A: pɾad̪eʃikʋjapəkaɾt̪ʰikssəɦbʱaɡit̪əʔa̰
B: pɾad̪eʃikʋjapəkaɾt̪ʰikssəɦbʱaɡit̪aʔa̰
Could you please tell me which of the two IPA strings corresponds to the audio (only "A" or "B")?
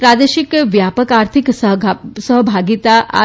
B